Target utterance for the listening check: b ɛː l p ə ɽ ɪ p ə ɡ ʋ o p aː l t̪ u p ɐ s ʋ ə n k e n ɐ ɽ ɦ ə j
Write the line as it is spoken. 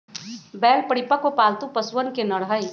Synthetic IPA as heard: b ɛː l p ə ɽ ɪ p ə k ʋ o p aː l t̪ u p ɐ s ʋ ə n k e n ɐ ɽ ɦ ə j